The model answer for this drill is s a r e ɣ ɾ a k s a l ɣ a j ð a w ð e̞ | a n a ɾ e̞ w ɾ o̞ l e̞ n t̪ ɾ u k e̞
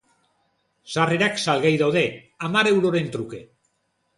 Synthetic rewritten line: s a r e ɾ a k s a l ɣ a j ð a w ð e̞ | a m a ɾ e̞ w ɾ o̞ ɾ e̞ n t̪ ɾ u k e̞